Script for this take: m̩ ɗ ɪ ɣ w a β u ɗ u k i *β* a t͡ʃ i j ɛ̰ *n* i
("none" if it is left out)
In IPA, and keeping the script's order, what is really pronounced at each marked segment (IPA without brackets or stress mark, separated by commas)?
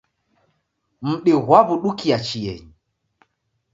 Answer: none, ɲ